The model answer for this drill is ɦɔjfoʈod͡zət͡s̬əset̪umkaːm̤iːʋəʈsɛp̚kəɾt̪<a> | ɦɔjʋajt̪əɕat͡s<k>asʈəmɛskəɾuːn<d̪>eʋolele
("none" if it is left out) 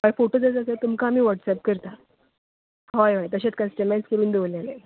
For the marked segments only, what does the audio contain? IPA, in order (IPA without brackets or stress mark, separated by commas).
a, k, d̪